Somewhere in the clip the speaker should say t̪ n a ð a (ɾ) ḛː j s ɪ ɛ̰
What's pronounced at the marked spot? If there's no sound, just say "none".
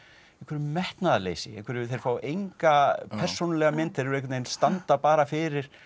l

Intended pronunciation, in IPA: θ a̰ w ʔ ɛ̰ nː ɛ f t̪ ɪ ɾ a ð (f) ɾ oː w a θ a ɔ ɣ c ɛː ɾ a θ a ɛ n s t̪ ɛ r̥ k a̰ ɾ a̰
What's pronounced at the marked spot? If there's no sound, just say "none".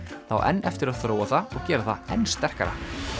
θ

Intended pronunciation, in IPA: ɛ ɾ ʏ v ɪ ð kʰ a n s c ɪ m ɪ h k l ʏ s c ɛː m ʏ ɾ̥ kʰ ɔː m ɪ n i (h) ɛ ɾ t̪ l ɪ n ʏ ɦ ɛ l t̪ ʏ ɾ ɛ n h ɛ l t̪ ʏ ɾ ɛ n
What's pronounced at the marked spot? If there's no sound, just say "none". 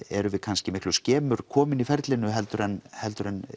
f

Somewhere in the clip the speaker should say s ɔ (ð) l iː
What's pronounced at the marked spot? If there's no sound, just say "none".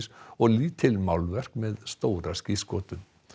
ɣ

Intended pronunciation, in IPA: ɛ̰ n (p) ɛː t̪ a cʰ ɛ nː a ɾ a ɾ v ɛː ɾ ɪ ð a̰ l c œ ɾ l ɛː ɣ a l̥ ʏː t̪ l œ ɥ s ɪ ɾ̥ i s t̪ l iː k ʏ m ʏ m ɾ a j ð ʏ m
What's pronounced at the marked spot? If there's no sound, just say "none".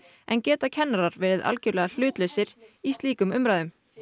c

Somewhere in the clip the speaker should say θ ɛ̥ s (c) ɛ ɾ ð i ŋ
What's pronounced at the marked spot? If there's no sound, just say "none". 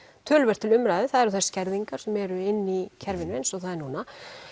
c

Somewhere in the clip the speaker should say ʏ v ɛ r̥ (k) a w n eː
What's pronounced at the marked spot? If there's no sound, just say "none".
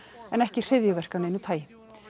k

